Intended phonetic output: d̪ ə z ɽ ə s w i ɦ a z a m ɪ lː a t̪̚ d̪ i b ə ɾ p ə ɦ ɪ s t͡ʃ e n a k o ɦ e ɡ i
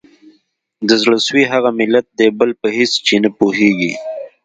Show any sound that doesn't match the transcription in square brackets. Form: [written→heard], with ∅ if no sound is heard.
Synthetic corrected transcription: d̪ ə z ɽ ə s w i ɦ a [z→ɣ] a m ɪ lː a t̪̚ d̪ [i→e] b ə [ɾ→l] p ə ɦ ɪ s t͡ʃ e n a [k→p] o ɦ e ɡ i